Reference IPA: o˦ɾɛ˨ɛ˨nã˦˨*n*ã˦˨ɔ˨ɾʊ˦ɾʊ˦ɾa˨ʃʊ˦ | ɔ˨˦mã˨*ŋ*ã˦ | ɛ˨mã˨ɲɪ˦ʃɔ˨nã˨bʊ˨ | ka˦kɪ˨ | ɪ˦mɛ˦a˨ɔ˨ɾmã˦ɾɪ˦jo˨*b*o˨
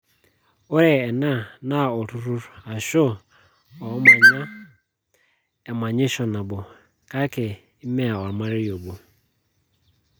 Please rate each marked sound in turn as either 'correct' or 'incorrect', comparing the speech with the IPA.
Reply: correct, incorrect, correct

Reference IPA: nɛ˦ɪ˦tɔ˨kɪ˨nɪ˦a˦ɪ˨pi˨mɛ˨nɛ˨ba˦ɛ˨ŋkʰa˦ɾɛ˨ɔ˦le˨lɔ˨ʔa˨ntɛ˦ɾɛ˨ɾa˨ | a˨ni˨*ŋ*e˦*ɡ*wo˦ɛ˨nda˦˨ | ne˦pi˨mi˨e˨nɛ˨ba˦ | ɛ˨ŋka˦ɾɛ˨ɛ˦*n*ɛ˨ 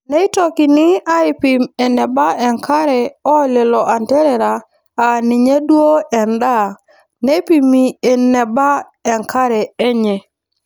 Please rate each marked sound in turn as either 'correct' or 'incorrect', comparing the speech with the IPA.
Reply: incorrect, incorrect, incorrect

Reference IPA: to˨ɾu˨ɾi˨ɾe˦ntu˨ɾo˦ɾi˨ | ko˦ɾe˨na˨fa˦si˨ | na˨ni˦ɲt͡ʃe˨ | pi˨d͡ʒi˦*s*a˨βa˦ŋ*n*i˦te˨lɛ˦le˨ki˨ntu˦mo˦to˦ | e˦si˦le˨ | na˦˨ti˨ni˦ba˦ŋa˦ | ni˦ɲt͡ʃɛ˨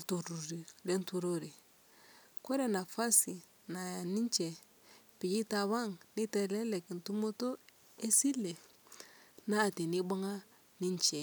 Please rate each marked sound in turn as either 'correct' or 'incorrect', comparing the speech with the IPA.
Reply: incorrect, correct

